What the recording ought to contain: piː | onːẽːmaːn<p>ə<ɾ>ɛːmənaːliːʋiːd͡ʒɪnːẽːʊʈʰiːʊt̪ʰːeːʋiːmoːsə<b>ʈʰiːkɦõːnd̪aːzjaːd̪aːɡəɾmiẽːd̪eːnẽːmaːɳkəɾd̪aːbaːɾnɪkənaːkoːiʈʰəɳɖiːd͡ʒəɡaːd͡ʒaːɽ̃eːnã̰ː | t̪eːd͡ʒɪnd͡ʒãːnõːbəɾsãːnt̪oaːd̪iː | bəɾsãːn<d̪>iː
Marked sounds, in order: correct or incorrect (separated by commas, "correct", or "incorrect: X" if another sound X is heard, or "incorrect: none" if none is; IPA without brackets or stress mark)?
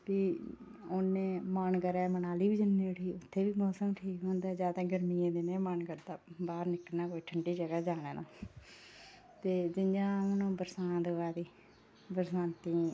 incorrect: k, correct, incorrect: m, incorrect: t̪